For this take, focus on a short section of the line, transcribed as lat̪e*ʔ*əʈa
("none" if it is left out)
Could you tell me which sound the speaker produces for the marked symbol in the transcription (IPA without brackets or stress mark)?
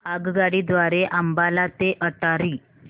ʔ